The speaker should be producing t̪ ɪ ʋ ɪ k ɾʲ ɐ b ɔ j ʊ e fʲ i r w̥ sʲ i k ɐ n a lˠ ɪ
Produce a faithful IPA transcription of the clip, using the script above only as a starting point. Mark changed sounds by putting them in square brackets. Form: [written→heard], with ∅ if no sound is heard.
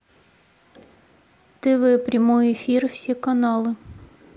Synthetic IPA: t̪ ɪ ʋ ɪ [k→p] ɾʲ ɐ [b→m] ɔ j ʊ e fʲ i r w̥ sʲ i k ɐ n [a→ɑ] lˠ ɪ